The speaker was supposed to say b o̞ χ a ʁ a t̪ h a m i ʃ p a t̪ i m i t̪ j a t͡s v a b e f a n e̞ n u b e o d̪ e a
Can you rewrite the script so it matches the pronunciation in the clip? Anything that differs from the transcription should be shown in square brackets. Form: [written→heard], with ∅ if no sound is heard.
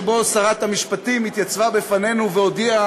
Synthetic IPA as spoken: b o̞ [χ→s] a ʁ a t̪ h a m i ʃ p a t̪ i m i t̪ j a t͡s v a b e f a n e̞ n u [b→v] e o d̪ [e→i] a